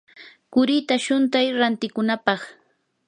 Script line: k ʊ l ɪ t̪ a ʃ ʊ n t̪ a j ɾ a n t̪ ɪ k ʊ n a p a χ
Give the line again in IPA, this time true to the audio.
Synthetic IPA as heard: k ʊ ɾ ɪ t̪ a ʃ ʊ n t̪ a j ɾ a n t̪ ɪ k ʊ n a p ɑ χ